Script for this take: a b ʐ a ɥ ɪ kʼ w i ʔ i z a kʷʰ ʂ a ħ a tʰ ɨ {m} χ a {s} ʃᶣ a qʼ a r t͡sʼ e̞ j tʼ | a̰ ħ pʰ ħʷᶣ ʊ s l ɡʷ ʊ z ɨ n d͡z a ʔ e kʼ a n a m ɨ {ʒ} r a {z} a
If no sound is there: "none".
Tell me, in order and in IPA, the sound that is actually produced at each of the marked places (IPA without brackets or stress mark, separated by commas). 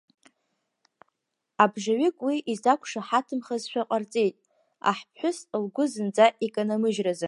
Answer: m, z, ʒ, z